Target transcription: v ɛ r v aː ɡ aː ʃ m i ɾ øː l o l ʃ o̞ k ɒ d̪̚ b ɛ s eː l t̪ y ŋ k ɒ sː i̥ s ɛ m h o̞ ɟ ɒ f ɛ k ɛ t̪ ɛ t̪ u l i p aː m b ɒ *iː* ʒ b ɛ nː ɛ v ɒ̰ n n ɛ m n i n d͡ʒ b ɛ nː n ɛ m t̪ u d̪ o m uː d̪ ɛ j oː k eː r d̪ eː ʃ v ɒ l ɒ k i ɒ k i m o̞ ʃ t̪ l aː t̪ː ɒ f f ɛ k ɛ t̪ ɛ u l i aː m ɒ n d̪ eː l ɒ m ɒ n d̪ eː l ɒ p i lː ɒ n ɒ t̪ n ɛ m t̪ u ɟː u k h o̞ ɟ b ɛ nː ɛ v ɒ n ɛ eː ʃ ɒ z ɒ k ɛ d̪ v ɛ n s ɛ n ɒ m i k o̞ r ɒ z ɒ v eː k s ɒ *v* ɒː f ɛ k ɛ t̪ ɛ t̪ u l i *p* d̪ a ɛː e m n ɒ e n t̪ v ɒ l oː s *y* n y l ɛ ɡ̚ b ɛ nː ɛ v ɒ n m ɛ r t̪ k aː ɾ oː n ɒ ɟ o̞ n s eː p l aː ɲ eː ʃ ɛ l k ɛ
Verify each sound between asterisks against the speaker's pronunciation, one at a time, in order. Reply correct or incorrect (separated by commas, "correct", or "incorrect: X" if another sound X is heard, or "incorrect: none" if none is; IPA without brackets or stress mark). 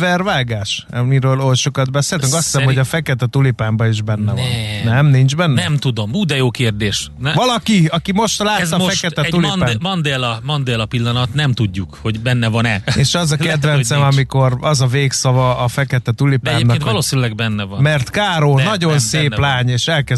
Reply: incorrect: i, correct, correct, incorrect: i